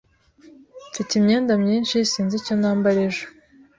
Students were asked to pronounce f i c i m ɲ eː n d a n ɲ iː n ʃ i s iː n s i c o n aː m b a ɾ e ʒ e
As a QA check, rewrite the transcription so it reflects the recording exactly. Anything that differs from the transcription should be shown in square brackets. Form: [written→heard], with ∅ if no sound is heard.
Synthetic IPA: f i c i m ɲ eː n d a [n→m] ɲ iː n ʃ i s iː n [s→z] i c o n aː m b a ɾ e ʒ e